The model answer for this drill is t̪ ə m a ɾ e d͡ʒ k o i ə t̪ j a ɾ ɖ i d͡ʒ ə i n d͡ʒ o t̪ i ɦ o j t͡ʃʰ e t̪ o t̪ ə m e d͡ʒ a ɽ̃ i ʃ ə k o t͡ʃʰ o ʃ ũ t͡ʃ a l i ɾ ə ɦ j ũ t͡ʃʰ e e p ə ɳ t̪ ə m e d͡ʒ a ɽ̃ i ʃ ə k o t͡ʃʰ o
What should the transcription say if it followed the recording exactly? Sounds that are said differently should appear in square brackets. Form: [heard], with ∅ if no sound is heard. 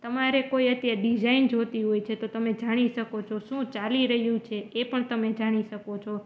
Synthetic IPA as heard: t̪ ə m a ɾ e [∅] k o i ə t̪ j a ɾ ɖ i d͡ʒ [a] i n d͡ʒ o t̪ i ɦ o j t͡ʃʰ e t̪ o t̪ ə m e d͡ʒ a ɽ̃ i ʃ ə k o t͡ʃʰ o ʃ ũ t͡ʃ a l i ɾ ə ɦ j ũ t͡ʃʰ e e p ə ɳ t̪ ə m e d͡ʒ a ɽ̃ i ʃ ə k o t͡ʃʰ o